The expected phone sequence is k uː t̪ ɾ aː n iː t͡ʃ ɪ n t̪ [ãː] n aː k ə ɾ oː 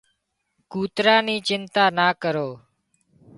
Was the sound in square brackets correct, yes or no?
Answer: no